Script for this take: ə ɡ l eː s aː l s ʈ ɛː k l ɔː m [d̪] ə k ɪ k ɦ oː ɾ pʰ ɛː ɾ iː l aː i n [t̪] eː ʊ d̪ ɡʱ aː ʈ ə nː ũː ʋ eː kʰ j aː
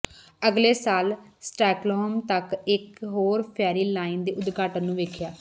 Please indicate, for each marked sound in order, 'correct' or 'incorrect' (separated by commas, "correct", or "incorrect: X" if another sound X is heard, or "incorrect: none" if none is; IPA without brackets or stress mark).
incorrect: t̪, incorrect: d̪